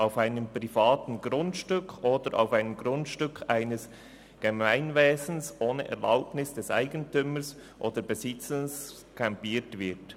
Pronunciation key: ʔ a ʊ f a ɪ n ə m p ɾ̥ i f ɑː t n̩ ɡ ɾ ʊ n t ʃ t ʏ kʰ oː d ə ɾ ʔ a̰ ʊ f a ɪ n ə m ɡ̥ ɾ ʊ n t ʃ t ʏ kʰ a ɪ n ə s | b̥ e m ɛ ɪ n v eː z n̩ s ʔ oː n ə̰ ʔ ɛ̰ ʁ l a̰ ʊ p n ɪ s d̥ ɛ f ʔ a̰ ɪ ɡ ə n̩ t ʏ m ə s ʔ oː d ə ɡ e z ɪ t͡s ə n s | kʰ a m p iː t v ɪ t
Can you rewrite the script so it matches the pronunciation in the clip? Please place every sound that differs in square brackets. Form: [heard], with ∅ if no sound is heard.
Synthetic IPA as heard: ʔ a ʊ f a ɪ n ə m p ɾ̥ i f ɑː t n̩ ɡ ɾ ʊ n t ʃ t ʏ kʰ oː d ə ɾ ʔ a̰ ʊ f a ɪ n ə m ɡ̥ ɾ ʊ n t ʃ t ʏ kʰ a ɪ n ə s | [ɡ̥] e m [a] ɪ n v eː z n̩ s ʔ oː n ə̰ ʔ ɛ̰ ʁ l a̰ ʊ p n ɪ s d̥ ɛ [s] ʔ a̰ ɪ ɡ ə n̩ t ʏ m ə s ʔ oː d ə [b] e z ɪ t͡s ə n s | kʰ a m p iː t v ɪ t